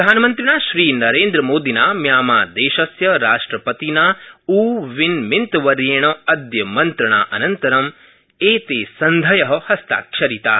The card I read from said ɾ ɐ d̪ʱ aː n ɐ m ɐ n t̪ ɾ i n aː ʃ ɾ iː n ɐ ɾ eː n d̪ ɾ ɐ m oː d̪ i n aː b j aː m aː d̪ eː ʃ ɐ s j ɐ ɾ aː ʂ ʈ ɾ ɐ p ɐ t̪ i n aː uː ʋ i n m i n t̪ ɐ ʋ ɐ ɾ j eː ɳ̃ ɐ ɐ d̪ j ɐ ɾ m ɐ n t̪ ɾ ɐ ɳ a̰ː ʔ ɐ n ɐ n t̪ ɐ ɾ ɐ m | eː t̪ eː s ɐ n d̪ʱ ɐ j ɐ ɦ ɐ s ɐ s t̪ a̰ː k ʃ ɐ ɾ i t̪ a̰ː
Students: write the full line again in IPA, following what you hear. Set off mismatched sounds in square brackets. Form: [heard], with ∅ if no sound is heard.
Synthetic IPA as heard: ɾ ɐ d̪ʱ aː n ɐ m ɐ n t̪ ɾ i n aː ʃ ɾ iː n ɐ ɾ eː n d̪ ɾ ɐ m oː d̪ i n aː [m] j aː m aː d̪ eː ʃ ɐ s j ɐ ɾ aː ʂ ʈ ɾ ɐ p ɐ t̪ i n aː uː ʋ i n m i n t̪ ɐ ʋ ɐ ɾ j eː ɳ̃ ɐ ɐ d̪ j ɐ [∅] m ɐ n t̪ ɾ ɐ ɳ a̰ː ʔ ɐ n ɐ n t̪ ɐ ɾ ɐ m | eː t̪ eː s ɐ n d̪ʱ ɐ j ɐ ɦ ɐ [h] ɐ s t̪ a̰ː k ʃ ɐ ɾ i t̪ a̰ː